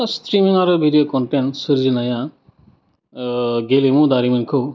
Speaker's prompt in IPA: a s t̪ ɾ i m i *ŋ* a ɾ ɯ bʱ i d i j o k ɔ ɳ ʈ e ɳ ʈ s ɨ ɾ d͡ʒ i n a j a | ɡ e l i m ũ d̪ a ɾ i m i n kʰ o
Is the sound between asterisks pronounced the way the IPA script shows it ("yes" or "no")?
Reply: yes